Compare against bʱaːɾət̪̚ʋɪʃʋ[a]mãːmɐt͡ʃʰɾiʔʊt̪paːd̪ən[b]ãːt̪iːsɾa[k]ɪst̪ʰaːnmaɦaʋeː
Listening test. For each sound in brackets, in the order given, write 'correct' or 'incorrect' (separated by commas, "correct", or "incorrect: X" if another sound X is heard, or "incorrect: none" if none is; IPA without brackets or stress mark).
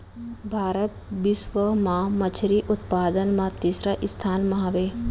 incorrect: ə, incorrect: m, incorrect: ʔ